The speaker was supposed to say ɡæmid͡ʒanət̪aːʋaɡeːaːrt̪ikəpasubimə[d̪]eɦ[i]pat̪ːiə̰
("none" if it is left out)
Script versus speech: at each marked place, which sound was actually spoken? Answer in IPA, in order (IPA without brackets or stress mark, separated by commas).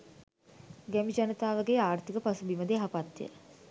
d̪, a